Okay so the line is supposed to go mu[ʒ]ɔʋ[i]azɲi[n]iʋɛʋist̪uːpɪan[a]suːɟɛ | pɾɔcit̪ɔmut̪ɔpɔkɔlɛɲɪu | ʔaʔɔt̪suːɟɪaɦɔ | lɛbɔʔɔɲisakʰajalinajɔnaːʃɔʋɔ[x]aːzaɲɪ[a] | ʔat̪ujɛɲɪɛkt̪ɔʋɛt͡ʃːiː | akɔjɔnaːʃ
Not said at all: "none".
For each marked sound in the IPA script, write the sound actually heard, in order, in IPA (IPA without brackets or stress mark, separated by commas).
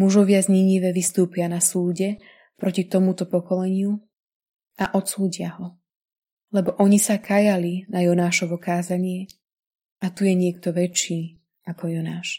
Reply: ʒ, ɪ, ɲ, a, k, ɛ